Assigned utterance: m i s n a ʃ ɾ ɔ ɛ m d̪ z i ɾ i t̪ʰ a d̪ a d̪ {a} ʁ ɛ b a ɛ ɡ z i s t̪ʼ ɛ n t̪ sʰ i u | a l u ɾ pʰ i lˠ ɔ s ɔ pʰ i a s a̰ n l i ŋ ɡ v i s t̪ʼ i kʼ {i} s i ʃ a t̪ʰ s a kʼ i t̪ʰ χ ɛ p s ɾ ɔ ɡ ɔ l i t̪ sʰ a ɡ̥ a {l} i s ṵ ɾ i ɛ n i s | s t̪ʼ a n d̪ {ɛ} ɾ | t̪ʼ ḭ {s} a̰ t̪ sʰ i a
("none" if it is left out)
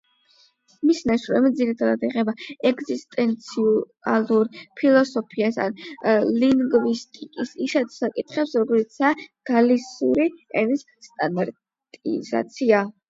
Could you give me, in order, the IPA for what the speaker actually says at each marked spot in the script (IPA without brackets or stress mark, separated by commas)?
i, i, l, a, z